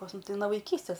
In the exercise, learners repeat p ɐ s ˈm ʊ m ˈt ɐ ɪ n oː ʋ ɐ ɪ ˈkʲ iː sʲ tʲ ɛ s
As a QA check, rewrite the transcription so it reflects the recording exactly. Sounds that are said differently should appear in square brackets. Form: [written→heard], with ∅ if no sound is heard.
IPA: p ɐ s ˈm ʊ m ˈt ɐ ɪ n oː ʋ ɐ ɪ ˈkʲ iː sʲ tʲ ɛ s